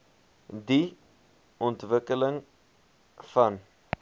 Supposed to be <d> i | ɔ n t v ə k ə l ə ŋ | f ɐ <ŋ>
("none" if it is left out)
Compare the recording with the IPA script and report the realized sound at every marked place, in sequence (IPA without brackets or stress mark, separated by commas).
d, n